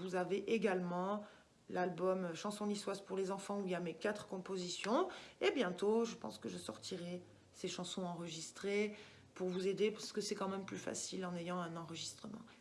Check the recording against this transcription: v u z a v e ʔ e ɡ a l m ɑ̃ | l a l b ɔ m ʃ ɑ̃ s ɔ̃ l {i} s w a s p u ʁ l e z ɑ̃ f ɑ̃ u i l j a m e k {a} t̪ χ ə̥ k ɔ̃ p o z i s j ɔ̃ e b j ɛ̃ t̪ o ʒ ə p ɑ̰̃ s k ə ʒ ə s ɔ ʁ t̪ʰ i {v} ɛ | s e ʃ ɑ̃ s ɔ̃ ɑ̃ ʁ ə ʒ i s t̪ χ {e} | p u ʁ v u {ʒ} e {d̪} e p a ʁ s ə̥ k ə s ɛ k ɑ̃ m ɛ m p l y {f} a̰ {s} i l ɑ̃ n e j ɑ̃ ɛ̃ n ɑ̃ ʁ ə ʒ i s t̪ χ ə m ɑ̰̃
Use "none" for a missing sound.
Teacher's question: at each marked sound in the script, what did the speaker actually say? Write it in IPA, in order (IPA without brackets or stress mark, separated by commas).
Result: i, a, ʁ, e, z, d̪, f, s